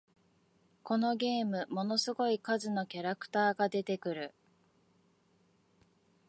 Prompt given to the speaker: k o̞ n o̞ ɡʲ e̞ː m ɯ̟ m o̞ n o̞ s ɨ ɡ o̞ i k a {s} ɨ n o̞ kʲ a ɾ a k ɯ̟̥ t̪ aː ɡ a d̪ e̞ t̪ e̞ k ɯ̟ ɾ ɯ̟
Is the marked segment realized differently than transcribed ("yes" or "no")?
yes